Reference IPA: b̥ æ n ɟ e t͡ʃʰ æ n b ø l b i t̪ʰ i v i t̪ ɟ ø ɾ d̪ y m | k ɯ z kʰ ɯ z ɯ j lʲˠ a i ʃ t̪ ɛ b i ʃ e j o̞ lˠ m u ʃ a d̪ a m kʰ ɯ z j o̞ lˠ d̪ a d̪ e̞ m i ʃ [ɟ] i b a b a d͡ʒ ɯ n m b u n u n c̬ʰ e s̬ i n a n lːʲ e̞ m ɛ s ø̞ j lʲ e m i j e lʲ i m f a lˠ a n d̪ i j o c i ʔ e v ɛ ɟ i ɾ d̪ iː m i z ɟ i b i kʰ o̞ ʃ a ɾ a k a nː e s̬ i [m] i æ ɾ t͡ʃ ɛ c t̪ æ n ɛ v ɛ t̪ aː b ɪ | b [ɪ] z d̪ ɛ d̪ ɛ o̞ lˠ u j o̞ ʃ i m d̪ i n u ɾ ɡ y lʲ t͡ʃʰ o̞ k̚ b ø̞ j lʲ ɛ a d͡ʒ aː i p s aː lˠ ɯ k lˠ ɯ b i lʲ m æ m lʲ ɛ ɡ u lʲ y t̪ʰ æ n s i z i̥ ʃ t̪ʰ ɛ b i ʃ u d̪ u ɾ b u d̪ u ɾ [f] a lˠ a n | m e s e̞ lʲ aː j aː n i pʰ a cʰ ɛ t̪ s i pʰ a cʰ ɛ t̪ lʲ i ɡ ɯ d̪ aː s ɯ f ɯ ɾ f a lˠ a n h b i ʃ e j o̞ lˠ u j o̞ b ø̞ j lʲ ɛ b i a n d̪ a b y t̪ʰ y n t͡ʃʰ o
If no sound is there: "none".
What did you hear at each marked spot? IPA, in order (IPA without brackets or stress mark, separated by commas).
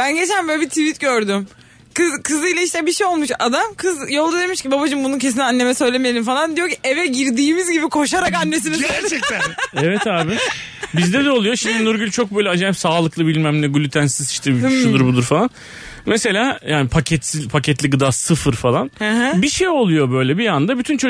c, n, i, f